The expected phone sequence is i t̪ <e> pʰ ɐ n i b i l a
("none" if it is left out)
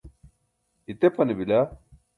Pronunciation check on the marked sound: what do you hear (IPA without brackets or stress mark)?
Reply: e